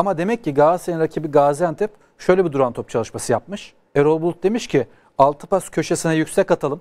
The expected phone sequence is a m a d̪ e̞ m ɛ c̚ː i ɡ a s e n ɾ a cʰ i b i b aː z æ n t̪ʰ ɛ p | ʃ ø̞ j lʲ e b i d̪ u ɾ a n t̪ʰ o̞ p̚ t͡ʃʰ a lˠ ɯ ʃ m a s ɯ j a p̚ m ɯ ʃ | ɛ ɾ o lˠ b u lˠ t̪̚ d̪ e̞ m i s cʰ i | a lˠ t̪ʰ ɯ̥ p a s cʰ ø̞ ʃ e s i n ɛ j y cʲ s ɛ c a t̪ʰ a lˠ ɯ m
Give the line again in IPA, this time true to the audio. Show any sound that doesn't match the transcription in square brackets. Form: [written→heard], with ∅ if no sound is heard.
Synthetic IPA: a m a d̪ e̞ m ɛ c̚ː i ɡ a s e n ɾ a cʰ i b i [b→ɡ] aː z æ n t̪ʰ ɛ p | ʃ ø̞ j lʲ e b i d̪ u ɾ a n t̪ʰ o̞ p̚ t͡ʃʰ a lˠ ɯ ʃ m a s ɯ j a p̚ m ɯ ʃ | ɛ ɾ o lˠ b u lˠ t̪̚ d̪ e̞ m i [s→ʃ] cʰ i | a lˠ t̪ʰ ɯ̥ p a s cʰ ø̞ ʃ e s i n ɛ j y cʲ s ɛ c a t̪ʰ a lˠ ɯ m